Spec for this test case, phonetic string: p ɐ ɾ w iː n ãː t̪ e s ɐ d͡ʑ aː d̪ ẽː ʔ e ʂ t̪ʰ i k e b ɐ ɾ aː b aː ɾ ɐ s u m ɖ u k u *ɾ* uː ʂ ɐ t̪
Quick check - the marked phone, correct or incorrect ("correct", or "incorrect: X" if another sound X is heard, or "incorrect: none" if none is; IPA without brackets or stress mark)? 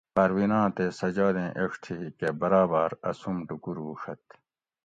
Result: correct